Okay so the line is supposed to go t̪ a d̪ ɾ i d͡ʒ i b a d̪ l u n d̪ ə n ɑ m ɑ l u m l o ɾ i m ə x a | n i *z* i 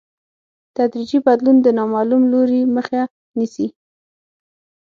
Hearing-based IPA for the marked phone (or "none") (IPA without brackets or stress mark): s